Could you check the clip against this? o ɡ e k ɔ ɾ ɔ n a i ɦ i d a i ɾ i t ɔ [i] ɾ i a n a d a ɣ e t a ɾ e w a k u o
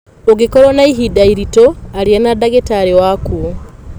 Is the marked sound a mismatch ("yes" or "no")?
yes